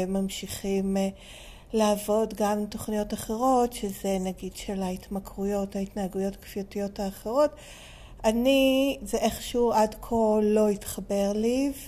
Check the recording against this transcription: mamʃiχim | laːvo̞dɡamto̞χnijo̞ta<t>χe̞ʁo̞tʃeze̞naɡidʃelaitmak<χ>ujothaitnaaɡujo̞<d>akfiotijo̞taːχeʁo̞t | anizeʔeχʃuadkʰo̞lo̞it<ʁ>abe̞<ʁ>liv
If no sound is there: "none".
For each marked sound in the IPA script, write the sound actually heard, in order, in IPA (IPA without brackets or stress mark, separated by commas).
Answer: none, ʁ, t, χ, ʁ